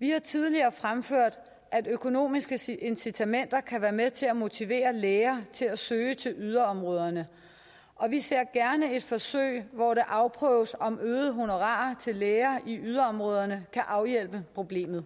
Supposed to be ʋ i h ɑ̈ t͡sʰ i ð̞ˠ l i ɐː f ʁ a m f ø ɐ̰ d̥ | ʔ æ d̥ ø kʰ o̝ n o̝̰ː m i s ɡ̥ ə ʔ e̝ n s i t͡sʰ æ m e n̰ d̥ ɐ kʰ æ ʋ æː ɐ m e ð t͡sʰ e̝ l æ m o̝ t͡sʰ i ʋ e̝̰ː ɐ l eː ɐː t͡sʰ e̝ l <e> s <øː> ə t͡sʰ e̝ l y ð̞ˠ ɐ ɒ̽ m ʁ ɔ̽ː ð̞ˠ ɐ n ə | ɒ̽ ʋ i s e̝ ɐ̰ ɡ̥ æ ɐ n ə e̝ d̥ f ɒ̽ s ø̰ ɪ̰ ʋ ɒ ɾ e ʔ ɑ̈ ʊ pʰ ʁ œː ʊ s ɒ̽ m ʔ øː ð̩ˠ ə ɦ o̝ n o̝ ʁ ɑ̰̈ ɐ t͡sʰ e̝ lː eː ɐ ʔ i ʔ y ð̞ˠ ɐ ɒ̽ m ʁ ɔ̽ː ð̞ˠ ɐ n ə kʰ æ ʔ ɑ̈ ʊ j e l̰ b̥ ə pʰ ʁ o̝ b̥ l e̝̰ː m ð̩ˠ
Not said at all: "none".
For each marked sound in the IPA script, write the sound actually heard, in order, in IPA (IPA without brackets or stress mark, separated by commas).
æ, øː